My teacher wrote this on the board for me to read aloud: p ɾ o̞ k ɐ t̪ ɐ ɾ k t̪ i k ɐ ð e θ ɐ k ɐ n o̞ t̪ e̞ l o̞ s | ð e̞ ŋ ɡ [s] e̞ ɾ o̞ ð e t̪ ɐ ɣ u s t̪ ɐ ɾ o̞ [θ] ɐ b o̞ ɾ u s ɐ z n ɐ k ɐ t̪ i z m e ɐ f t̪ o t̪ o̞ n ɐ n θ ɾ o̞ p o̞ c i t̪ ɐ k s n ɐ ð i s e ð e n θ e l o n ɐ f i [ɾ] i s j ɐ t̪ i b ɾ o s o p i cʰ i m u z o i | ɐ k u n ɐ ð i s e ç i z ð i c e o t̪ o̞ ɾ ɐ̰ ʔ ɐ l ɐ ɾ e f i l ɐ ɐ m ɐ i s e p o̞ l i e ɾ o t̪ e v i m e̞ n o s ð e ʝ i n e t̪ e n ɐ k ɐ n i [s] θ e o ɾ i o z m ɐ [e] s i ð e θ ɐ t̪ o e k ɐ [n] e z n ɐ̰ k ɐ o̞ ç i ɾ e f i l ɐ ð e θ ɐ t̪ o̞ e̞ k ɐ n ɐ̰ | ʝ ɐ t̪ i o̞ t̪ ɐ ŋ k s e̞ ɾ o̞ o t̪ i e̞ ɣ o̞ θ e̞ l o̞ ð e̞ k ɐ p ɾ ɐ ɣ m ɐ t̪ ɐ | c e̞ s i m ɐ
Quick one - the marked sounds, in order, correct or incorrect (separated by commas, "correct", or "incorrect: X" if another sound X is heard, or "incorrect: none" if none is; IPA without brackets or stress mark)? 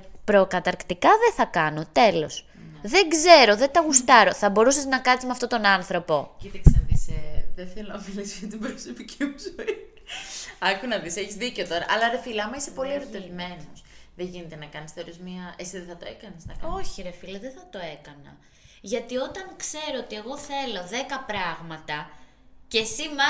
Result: incorrect: z, correct, incorrect: l, correct, correct, correct